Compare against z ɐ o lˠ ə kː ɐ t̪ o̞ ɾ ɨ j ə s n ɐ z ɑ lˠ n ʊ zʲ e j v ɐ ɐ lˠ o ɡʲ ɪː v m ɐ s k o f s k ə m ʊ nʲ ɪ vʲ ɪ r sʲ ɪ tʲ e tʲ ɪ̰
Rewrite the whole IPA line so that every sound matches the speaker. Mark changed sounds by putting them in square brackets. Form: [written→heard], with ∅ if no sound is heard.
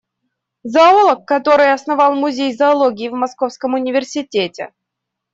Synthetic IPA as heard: z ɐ o lˠ ə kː ɐ t̪ o̞ ɾ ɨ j [ə→ɐ] s n ɐ [z→v] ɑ lˠ [n→m] ʊ zʲ e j [v→z] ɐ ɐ lˠ o ɡʲ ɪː v m ɐ s k o f s k ə m ʊ nʲ ɪ vʲ ɪ r sʲ ɪ tʲ e tʲ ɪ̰